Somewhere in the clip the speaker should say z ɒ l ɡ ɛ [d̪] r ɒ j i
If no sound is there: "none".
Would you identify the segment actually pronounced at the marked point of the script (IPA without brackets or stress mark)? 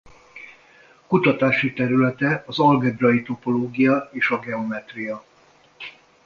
d̪